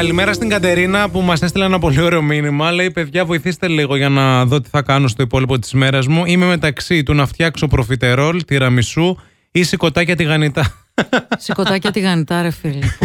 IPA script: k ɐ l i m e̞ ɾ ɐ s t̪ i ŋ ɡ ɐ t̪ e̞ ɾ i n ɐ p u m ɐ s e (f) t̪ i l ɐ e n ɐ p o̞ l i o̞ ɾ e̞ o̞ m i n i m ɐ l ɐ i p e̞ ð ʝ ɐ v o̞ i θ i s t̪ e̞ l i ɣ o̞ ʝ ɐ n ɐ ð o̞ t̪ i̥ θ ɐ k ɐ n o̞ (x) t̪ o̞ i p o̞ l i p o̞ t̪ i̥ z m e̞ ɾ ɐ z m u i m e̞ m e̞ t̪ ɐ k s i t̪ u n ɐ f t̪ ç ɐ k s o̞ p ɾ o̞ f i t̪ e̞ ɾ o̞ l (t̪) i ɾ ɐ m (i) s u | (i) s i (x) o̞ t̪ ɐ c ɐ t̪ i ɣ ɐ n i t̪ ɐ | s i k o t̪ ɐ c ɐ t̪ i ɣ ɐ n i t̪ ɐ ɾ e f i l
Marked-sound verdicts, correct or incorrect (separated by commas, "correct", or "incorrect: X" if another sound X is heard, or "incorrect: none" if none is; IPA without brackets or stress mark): incorrect: s, incorrect: s, correct, correct, correct, incorrect: k